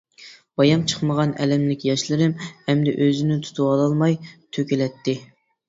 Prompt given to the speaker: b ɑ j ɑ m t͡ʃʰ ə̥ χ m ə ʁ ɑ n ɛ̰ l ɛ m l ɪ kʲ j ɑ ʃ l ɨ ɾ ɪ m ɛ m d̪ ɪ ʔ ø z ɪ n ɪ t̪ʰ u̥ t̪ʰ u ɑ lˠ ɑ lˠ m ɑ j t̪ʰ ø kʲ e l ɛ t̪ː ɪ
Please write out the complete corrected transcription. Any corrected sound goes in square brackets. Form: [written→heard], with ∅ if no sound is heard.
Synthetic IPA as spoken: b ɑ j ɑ m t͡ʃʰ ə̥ χ m ə ʁ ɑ n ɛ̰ l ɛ m l ɪ kʲ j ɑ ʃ l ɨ ɾ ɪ m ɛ m d̪ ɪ ʔ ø z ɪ n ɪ t̪ʰ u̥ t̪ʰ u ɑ lˠ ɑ lˠ m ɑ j t̪ʰ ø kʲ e l ɛ t̪ː ɪ